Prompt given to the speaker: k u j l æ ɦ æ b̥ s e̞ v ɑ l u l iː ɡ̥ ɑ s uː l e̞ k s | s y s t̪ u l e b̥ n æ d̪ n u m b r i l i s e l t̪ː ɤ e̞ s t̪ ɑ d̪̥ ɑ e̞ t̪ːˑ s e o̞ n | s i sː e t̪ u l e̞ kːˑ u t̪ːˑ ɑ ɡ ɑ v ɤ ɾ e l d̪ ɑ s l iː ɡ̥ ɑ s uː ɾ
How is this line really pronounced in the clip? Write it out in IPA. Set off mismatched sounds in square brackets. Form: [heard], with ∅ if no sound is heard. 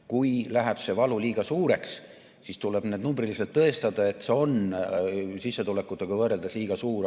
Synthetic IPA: k u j l æ ɦ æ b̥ s e̞ v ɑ l u l iː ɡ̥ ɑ s uː [ɾ] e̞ k s | s [i] s t̪ u l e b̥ n [e] d̪ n u m b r i l i s e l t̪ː ɤ e̞ s t̪ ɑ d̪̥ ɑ e̞ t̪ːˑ s e o̞ n | s i sː e t̪ u l e̞ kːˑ u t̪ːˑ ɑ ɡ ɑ v ɤ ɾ e l d̪ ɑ s l iː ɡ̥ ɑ s uː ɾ